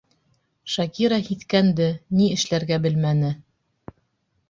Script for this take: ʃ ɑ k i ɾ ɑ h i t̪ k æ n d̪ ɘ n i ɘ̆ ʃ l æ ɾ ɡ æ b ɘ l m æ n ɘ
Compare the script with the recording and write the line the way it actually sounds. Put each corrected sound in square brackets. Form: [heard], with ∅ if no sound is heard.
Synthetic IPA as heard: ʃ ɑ k i ɾ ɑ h i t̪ k æ n d̪ ɘ n i ɘ̆ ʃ l æ ɾ ɡ æ b ɘ l m æ n ɘ